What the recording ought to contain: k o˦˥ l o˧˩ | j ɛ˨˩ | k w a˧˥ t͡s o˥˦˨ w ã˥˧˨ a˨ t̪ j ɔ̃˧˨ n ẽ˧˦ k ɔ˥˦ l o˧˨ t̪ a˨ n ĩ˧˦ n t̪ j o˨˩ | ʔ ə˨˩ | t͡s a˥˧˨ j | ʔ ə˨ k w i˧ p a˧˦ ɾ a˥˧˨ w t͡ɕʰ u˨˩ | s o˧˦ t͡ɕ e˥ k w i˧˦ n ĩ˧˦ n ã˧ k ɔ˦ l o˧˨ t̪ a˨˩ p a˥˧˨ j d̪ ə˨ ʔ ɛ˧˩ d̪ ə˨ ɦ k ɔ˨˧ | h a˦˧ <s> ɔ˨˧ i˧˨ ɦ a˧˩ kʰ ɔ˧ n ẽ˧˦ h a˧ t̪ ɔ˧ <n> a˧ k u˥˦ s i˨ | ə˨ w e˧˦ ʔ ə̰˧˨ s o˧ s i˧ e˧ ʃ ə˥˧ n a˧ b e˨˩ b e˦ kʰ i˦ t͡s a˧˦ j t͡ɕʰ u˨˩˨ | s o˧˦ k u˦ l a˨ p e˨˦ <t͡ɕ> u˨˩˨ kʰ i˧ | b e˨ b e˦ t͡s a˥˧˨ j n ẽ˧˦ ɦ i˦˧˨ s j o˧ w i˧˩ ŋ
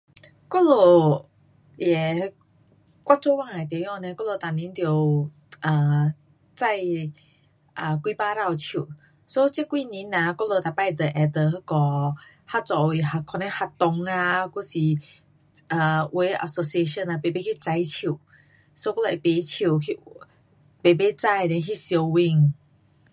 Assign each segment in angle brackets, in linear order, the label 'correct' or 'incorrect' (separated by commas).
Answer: incorrect, incorrect, incorrect